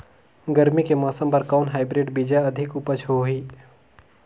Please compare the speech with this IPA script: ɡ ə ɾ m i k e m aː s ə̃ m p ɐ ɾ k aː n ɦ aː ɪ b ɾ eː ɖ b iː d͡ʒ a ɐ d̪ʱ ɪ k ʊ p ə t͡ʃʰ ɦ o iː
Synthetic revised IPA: ɡ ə ɾ m i k e m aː s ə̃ m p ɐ ɾ k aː n ɦ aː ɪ b ɾ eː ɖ b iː d͡ʒ a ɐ d̪ʱ ɪ k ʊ p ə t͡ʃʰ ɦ o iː